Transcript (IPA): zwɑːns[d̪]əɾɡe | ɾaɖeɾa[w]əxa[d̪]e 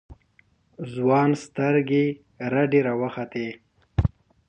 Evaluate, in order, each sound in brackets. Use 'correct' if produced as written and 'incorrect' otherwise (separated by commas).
incorrect, correct, incorrect